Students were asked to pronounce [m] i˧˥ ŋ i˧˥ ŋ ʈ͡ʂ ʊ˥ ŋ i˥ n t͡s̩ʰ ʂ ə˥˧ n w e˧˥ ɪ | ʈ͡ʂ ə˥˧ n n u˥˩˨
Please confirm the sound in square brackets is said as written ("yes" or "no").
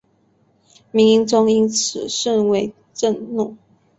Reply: yes